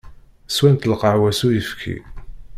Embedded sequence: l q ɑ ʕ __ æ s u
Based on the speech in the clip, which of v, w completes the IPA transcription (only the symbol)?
w